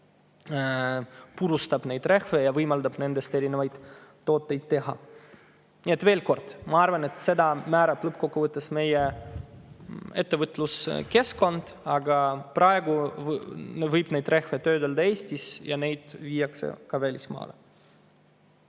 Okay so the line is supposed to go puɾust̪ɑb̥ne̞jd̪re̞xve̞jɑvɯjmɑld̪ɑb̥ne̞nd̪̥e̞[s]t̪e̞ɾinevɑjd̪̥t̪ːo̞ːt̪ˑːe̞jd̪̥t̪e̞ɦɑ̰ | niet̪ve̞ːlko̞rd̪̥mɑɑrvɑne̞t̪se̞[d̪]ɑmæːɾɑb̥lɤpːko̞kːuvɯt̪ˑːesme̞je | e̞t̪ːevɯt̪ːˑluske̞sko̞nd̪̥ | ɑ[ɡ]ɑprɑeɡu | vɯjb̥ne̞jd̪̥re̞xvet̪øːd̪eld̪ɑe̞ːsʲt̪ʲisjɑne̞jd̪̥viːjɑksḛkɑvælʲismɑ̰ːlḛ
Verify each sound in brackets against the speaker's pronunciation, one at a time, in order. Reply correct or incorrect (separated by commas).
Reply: correct, correct, correct